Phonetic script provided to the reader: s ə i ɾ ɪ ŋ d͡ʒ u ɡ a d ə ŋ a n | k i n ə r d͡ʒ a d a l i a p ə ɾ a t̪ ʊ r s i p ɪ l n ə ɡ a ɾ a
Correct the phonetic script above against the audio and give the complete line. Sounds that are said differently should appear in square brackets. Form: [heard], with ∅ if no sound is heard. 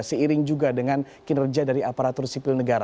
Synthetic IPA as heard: s ə i ɾ ɪ ŋ d͡ʒ u ɡ a d ə ŋ a n | k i n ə r d͡ʒ a d a [ɾ] i a p [a] ɾ a t̪ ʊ r s i p ɪ l n ə ɡ a ɾ a

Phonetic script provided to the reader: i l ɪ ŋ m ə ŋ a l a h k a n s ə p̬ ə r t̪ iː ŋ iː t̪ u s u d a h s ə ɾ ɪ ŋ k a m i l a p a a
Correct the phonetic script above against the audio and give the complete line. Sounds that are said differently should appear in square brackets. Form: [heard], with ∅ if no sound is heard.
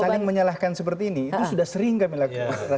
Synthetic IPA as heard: [a] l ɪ ŋ m ə [ɲ] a l a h k a n s ə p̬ ə r t̪ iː [n] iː t̪ u s u d a h s ə ɾ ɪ ŋ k a m i l a [k] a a

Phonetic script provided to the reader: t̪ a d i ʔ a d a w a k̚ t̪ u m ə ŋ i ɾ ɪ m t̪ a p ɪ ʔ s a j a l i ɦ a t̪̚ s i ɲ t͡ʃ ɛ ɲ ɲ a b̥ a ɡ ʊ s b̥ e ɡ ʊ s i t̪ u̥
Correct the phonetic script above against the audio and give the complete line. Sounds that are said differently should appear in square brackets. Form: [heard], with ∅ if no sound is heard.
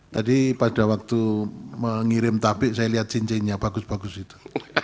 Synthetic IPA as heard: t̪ a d i [p] a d a w a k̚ t̪ u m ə ŋ i ɾ ɪ m t̪ a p ɪ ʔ s a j a l i ɦ a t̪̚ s i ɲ t͡ʃ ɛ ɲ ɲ a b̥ a ɡ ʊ s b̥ [a] ɡ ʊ s i t̪ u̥

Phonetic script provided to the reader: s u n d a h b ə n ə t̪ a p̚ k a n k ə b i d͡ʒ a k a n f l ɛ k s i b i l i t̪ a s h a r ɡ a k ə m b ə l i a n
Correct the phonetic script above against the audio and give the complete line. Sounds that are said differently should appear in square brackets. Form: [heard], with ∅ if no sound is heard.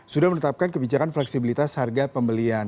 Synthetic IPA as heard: s u [∅] d a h [m] ə n ə t̪ a p̚ k a n k ə b i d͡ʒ a k a n f l ɛ k s i b i l i t̪ a s h a r ɡ a [p] ə m b ə l i a n

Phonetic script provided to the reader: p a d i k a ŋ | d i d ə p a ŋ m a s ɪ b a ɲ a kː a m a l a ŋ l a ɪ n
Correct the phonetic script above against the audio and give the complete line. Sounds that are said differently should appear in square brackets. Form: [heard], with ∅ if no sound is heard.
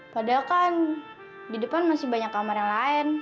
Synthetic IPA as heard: p a d [a] k a [n] | d i d ə p a [n] m a s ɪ b a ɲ a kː a m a [ɾ] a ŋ l a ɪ n

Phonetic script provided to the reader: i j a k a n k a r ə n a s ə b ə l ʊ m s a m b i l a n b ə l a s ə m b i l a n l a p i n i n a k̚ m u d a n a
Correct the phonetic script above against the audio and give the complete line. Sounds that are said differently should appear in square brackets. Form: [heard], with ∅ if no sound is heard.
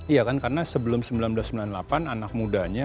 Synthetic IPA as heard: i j a k a n k a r ə n a s ə b ə l ʊ m s [ə] m b i l a n b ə l a s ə m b i l a n l a p [a] n [a] n a k̚ m u d a [ɲ] a

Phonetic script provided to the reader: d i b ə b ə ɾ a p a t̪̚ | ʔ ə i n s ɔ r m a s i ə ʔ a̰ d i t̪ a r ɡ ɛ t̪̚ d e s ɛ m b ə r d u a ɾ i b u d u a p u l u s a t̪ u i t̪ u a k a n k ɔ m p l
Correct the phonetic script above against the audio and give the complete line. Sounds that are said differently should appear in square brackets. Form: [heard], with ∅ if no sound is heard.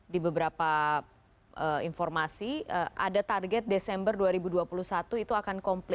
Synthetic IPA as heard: d i b ə b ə ɾ a p a [∅] | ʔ ə i n [f] ɔ r m a s i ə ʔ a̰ d [a] t̪ a r ɡ ɛ t̪̚ d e s ɛ m b ə r d u a ɾ i b u d u a p u l u s a t̪ u i t̪ u a k a n k ɔ m p l

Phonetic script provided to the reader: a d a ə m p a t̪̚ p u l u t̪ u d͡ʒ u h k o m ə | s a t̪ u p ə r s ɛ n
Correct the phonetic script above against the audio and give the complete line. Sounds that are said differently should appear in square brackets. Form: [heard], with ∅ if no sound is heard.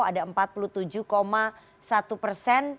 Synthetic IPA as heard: a d a ə m p a t̪̚ p u l u t̪ u d͡ʒ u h k o m [a] | s a t̪ u p ə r s ɛ n

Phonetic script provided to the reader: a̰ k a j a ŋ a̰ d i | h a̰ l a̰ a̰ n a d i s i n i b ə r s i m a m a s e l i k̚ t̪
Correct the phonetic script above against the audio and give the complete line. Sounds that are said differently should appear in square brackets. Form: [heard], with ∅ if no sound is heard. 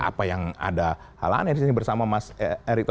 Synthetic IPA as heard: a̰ [p] a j a ŋ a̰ d [a] | h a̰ l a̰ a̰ n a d i s i n i b ə r s [a] m a m a s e [ɾ] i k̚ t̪

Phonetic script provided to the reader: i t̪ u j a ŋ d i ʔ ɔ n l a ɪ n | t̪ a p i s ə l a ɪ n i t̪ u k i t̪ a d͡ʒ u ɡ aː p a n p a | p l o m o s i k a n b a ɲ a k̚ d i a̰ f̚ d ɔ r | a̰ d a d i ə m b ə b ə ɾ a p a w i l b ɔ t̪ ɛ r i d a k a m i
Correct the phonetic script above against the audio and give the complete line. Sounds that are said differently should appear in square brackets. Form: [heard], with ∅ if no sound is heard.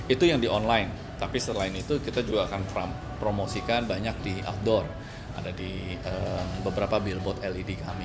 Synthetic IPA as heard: i t̪ u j a ŋ d i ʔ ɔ n l a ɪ n | t̪ a p i s ə l a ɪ n i t̪ u k i t̪ a d͡ʒ u ɡ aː [k] a n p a | p [ɾ] o m o s i k a n b a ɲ a k̚ d i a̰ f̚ d ɔ r | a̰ d a d i ə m b ə b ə ɾ a p a [b] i l b ɔ t̪ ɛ [l] i d [i] k a m i

